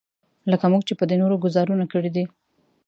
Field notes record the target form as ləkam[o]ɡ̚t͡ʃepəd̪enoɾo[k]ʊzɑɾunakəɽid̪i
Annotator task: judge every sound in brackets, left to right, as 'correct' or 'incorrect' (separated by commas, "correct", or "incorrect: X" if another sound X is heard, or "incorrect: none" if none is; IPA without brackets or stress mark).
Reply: incorrect: u, incorrect: ɡ